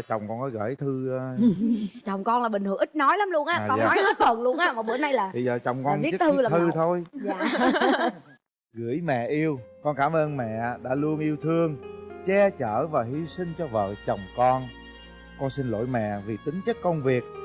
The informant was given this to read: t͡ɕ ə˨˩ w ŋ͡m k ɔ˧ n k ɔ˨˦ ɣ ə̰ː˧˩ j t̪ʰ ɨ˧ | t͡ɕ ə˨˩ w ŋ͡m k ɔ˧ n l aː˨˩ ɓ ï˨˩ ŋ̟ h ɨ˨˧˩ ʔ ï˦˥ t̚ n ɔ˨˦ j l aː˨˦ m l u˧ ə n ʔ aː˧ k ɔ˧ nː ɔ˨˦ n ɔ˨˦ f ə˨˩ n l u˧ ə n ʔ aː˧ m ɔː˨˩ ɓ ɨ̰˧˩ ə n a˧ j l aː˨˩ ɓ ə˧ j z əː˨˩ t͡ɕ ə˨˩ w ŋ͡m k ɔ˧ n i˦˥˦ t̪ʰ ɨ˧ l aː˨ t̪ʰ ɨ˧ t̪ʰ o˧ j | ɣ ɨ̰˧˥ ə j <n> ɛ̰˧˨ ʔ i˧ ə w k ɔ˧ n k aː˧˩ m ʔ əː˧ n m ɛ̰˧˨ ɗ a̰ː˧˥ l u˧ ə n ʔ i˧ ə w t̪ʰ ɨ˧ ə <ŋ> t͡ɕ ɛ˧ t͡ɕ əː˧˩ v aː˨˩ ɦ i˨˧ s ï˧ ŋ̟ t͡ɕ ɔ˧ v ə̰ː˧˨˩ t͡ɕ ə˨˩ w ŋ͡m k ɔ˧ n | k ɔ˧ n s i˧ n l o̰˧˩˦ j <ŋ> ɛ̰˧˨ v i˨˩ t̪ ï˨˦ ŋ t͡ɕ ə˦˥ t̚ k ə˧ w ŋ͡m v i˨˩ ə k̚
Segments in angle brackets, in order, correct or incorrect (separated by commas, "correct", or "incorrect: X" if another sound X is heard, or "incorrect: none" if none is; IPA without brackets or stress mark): incorrect: m, correct, incorrect: m